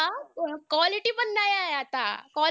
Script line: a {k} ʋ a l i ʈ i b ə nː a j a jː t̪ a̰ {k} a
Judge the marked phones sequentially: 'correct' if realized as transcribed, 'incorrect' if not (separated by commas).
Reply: correct, correct